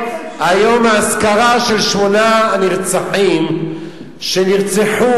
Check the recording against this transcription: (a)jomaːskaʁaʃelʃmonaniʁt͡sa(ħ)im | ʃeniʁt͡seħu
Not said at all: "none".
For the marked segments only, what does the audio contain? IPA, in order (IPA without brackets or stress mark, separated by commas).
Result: a, ħ